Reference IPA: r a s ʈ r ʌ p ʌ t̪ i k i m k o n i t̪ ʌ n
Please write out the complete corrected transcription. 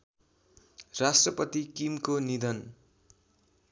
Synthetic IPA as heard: r a s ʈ r ʌ p ʌ t̪ i k i m k o n i d̪ ʌ n